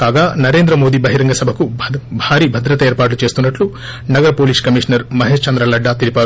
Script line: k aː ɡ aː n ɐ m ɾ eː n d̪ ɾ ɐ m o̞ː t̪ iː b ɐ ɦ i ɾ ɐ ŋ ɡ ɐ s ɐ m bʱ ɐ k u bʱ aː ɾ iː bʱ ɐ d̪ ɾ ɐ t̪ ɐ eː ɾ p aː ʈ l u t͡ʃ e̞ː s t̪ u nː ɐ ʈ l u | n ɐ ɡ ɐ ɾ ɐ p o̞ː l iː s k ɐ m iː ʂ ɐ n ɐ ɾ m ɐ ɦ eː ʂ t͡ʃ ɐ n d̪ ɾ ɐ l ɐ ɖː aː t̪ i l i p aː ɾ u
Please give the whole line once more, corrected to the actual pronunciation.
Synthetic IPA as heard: k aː ɡ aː n ɐ ɾ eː n d̪ ɾ ɐ m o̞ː d̪ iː b ɐ ɦ i ɾ ɐ ŋ ɡ ɐ s ɐ bʱ ɐ k u bʱ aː ɾ iː bʱ ɐ d̪ ɾ ɐ t̪ ɐ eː ɾ p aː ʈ l u t͡ʃ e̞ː s t̪ u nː ɐ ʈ l u | n ɐ ɡ ɐ ɾ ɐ p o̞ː l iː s k ɐ m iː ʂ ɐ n ɐ ɾ m ɐ ɦ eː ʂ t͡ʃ ɐ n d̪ ɾ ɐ l ɐ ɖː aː t̪ i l i p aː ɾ u